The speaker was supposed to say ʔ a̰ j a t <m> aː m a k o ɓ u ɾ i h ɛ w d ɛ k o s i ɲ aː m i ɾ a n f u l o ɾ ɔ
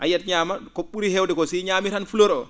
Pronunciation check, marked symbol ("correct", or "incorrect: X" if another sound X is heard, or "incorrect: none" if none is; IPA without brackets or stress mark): incorrect: ɲ